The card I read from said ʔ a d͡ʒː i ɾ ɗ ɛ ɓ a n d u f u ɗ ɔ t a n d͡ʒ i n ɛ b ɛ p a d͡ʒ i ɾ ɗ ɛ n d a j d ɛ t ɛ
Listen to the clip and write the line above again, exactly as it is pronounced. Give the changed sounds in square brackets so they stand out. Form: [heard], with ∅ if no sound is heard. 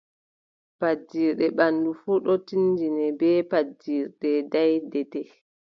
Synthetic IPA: [p] a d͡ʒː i ɾ ɗ ɛ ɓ a n d u f u ɗ ɔ t [i] n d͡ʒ i n ɛ b ɛ p a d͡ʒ i ɾ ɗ ɛ [∅] d a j d ɛ t ɛ